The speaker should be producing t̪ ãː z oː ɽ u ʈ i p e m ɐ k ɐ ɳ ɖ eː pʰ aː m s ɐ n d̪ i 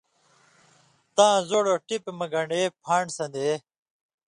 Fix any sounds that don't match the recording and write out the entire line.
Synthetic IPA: t̪ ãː z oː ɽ o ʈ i p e m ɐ ɡ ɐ ɳ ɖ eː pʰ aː ɳ s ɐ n d̪ e